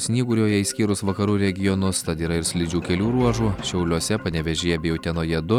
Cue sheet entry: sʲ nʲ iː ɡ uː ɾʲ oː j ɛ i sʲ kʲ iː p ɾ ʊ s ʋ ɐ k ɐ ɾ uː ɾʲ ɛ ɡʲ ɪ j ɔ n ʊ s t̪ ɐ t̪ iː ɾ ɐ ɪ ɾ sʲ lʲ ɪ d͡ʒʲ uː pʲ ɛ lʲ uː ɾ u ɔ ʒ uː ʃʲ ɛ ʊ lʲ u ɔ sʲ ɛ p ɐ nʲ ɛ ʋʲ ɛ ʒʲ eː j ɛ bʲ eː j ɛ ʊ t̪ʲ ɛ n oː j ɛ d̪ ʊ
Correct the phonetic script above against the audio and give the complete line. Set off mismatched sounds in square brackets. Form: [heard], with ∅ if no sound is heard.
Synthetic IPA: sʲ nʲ iː ɡ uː ɾʲ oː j ɛ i sʲ kʲ iː [∅] ɾ ʊ s ʋ ɐ k ɐ ɾ uː ɾʲ ɛ ɡʲ ɪ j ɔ n ʊ s t̪ ɐ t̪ iː ɾ ɐ ɪ ɾ sʲ lʲ ɪ d͡ʒʲ uː [kʲ] ɛ lʲ uː ɾ u ɔ ʒ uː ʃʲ ɛ ʊ lʲ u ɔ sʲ ɛ p ɐ nʲ ɛ ʋʲ ɛ ʒʲ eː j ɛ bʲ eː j ɛ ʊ t̪ʲ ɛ n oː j ɛ d̪ ʊ